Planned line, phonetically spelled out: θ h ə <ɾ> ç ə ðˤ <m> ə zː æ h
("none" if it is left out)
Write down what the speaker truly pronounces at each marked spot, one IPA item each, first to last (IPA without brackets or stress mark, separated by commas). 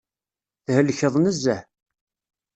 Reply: l, n